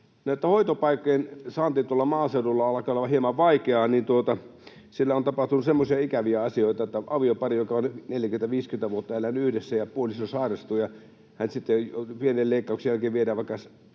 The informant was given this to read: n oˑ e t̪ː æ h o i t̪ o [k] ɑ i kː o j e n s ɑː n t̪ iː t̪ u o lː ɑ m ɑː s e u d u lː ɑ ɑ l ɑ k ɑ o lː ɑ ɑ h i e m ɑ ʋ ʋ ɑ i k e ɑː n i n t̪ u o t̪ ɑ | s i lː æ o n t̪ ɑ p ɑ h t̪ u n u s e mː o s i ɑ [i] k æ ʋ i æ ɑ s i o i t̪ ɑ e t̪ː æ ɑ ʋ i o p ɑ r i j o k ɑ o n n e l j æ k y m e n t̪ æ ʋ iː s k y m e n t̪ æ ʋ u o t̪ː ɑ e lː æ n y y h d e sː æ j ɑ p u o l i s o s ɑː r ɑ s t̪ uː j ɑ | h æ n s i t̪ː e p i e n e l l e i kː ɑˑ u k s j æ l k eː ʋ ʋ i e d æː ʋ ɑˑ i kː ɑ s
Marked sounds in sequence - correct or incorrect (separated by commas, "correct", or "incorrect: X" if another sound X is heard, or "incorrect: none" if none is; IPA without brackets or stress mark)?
incorrect: p, correct